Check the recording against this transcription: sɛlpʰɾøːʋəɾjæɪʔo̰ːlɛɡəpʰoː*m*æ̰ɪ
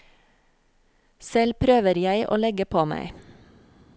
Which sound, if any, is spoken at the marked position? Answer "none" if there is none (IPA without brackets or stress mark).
m